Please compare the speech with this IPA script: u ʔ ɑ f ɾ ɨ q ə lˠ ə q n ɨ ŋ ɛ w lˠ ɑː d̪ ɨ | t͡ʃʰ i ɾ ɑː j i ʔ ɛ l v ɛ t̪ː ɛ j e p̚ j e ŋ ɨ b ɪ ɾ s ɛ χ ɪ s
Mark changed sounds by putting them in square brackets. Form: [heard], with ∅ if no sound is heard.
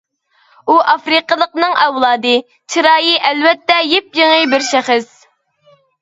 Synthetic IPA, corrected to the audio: u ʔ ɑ f ɾ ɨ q ə lˠ ə q n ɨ ŋ ɛ w lˠ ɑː d̪ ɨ | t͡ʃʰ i ɾ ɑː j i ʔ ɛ l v ɛ t̪ː ɛ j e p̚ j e ŋ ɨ b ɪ ɾ [ʃ] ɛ χ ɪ s